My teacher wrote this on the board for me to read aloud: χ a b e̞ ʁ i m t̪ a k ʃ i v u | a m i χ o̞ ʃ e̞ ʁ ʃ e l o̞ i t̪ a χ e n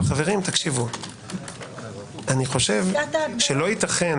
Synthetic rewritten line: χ a v e̞ ʁ i m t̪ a k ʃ i v u | a n i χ o̞ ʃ e̞ v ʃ e l o̞ i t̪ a χ e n